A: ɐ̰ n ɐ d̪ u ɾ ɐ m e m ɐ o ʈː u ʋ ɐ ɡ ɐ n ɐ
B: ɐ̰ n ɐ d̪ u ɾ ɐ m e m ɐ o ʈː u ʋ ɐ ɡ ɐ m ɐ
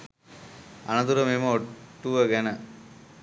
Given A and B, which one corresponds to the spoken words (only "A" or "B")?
A